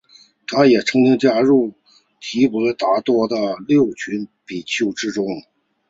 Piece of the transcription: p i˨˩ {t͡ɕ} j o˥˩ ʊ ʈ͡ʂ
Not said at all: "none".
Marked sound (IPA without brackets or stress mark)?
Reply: t͡ɕʰ